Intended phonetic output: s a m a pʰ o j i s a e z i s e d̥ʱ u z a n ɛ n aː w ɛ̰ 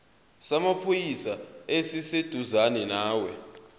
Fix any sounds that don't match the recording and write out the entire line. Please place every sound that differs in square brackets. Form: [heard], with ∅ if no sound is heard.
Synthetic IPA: s a m a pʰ o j i s a e [s] i s e d̥ʱ u z a n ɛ n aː w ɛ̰